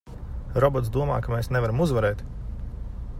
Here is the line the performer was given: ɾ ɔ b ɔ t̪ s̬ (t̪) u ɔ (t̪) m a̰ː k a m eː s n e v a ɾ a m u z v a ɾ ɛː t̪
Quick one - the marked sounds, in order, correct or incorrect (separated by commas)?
incorrect, incorrect